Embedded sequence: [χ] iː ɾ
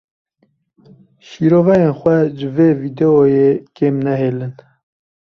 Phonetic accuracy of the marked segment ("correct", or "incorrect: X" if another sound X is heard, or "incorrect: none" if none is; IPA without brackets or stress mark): incorrect: ʃ